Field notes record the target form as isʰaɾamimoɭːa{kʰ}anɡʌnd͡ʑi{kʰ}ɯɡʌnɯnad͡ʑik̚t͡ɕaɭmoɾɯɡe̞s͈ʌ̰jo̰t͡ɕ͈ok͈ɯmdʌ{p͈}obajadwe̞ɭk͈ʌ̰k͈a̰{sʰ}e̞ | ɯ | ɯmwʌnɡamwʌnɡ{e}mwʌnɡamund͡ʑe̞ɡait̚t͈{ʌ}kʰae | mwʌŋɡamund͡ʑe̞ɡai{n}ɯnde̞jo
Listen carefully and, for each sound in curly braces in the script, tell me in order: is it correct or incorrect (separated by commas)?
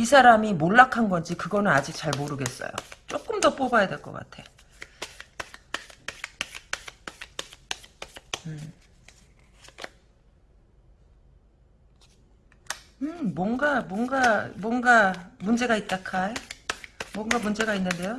correct, incorrect, correct, incorrect, incorrect, incorrect, incorrect